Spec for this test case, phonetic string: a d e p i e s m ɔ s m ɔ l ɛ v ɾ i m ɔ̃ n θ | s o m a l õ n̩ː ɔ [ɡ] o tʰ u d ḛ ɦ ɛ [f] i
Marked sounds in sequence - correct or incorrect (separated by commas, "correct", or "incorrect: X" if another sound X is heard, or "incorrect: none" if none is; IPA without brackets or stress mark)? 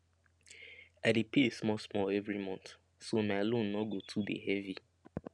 correct, incorrect: v